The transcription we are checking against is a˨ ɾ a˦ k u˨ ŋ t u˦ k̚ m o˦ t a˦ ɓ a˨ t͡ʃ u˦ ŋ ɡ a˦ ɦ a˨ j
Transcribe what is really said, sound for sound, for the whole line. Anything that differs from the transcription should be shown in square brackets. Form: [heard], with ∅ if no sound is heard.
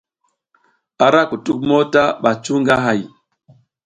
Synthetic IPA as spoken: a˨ ɾ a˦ k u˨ [∅] t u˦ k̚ m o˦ t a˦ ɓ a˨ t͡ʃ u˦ ŋ ɡ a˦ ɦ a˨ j